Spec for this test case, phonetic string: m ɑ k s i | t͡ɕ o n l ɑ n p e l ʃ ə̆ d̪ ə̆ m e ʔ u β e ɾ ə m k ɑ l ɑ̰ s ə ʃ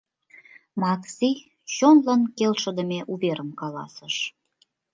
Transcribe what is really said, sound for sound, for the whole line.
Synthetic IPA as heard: m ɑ k s i | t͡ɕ o n l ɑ n k e l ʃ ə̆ d̪ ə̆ m e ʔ u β e ɾ ə m k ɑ l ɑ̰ s ə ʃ